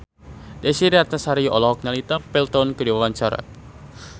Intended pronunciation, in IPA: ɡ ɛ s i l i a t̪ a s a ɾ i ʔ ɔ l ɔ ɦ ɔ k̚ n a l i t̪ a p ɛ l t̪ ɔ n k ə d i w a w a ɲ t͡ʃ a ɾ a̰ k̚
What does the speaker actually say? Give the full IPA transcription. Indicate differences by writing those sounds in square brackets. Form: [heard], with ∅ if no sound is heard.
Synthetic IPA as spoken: [d] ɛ s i [ɾ] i a t̪ a s a ɾ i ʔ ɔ l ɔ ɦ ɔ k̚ n a l i t̪ a p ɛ l t̪ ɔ n k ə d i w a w a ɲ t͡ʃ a ɾ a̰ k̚